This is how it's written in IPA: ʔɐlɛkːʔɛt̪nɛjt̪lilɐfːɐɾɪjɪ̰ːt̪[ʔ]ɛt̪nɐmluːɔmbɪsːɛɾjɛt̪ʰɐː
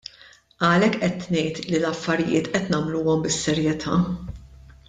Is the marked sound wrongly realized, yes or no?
no